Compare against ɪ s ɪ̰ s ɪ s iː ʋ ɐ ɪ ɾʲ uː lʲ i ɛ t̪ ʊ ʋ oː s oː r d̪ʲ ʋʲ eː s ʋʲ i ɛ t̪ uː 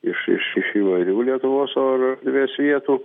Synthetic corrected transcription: ɪ ʃ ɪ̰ ʃ ɪ ʃ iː ʋ ɐ ɪ ɾʲ uː lʲ i ɛ t̪ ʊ ʋ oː s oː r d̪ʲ ʋʲ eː s ʋʲ i ɛ t̪ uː